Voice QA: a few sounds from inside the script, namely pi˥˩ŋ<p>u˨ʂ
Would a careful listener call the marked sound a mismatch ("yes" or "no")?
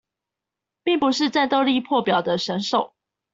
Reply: no